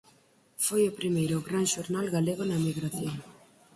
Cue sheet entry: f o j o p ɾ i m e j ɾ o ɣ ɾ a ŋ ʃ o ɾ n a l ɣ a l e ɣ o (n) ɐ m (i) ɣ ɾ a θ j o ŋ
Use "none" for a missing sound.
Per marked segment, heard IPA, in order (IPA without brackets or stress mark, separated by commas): n, i